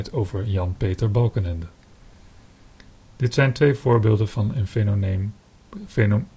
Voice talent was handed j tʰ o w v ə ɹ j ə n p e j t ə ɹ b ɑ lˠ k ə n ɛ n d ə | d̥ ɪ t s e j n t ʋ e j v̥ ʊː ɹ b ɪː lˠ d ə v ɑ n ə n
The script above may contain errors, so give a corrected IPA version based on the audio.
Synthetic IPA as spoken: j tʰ o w v ə ɹ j ɑ n p e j t ə ɹ b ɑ lˠ k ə n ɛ n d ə | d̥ ɪ t s ɛ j n t ʋ e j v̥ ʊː ɹ b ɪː lˠ d ə v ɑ n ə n